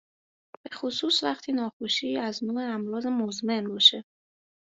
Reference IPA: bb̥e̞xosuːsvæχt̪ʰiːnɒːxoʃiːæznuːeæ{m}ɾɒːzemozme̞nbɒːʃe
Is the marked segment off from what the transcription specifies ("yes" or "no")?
no